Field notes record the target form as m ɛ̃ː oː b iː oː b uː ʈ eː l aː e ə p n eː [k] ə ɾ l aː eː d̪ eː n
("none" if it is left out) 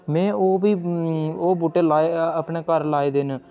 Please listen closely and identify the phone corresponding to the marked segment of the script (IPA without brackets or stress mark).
k